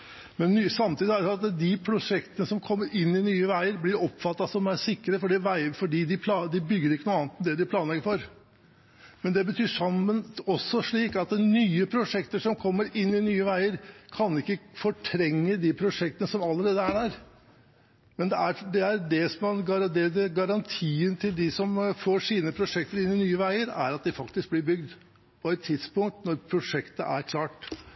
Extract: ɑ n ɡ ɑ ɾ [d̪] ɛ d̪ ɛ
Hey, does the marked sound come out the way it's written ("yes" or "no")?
yes